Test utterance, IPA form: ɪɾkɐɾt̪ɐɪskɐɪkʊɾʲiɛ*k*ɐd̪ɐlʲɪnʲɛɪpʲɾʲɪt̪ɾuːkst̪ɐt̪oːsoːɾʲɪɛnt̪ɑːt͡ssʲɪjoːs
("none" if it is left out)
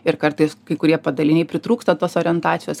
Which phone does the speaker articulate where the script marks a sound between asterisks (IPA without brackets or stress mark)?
p